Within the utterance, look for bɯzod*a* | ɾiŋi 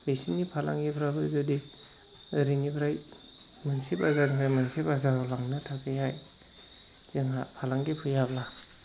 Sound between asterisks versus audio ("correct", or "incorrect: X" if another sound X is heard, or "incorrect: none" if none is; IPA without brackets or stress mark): incorrect: i